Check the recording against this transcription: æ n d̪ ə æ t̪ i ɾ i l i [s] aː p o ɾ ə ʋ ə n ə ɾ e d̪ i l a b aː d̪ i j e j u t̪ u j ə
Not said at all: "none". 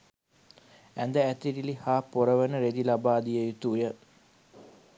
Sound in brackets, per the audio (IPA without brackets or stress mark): h